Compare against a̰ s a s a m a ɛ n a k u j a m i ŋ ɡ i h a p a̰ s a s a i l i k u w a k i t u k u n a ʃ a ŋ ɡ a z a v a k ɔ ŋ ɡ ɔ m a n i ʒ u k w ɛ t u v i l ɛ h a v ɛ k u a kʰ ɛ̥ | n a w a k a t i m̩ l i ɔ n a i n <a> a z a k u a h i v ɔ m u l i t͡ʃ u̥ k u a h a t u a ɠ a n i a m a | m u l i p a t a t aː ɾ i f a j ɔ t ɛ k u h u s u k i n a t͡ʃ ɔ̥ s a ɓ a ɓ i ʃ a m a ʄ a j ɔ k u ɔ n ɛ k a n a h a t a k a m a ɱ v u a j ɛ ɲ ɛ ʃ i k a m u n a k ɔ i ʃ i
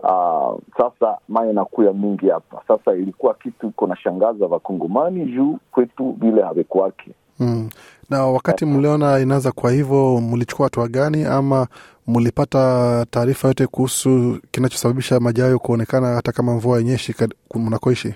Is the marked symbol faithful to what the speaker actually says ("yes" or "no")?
yes